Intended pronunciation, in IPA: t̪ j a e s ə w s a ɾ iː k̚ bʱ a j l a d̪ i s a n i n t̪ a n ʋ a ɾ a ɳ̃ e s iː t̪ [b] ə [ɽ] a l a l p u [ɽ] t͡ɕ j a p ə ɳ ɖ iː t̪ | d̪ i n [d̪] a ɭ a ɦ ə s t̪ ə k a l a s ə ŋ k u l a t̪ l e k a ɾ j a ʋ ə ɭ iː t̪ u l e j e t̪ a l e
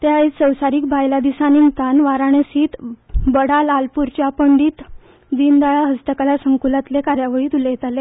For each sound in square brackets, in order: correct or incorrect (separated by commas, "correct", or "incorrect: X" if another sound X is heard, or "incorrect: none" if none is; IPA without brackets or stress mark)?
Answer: correct, correct, incorrect: ɾ, correct